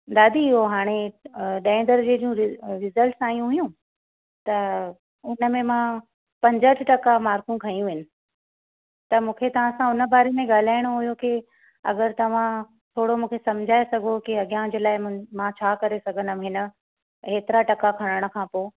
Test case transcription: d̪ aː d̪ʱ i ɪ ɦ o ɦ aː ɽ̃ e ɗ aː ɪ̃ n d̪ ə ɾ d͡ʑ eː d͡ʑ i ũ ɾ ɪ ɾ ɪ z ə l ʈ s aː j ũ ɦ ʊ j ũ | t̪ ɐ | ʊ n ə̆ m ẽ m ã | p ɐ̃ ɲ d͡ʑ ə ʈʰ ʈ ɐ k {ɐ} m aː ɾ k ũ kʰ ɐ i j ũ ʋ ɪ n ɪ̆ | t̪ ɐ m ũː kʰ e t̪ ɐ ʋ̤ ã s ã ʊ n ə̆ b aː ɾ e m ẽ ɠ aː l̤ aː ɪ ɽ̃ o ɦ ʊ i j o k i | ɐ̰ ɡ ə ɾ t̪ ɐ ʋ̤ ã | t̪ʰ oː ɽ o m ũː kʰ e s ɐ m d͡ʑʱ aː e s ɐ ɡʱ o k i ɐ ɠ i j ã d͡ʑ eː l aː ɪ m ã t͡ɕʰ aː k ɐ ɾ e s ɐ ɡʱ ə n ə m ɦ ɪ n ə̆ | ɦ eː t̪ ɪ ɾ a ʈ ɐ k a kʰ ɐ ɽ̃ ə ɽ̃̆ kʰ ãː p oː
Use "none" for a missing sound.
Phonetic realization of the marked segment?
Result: a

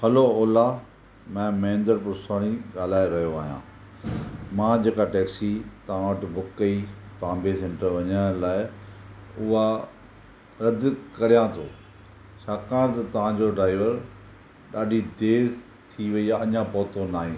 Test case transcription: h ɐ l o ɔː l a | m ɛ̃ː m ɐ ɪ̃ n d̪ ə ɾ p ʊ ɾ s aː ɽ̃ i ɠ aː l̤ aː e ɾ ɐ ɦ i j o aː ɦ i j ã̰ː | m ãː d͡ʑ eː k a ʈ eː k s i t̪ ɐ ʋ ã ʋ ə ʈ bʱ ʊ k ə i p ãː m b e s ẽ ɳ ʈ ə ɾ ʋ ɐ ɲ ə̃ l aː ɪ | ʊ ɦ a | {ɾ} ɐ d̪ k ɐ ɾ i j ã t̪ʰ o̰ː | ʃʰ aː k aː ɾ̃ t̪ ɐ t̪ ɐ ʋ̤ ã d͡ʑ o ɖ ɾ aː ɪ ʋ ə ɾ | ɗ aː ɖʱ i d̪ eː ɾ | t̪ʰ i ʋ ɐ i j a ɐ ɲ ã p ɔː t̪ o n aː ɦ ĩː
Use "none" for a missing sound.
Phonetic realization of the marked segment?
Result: ɾ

